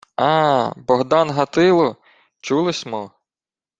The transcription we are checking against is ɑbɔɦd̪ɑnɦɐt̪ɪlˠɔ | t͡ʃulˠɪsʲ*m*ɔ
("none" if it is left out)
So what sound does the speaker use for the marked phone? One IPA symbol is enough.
m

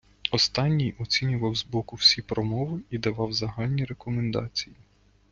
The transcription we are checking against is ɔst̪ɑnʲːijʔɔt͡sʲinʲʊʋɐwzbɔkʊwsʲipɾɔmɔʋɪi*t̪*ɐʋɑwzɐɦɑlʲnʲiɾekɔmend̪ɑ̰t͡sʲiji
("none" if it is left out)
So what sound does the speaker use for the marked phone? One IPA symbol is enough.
d̪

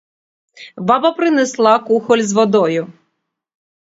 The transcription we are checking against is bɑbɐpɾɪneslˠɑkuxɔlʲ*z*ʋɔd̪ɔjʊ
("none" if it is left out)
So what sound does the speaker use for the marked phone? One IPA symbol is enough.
z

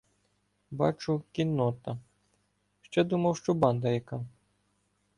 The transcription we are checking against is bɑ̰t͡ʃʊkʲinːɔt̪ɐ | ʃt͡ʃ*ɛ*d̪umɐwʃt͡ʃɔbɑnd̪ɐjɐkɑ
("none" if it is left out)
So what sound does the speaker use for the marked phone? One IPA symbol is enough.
ɛ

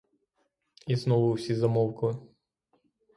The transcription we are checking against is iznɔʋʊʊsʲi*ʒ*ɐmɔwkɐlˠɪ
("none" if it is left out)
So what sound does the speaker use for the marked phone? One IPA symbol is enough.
z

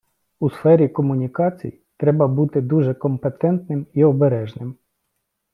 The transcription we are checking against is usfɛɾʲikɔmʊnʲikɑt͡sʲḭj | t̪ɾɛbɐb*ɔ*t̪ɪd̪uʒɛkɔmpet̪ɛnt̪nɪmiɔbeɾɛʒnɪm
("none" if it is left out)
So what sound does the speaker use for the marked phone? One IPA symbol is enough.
u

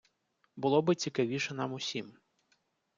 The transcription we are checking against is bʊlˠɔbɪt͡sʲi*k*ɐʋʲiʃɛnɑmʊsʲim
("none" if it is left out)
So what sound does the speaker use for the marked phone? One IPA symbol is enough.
k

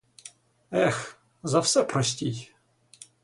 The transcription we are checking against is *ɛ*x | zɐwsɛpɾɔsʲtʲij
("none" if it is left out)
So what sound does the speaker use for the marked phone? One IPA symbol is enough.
ɛ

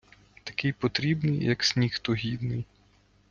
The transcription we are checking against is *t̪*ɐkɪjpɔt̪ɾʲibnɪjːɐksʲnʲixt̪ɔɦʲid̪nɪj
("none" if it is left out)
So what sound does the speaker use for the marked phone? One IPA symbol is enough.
t̪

